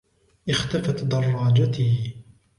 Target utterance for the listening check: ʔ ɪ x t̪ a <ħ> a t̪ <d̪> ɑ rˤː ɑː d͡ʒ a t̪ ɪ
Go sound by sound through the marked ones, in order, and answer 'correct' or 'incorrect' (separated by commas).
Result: incorrect, correct